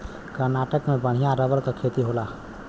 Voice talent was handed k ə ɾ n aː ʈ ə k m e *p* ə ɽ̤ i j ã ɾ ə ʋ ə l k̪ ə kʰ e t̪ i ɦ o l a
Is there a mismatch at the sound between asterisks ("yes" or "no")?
yes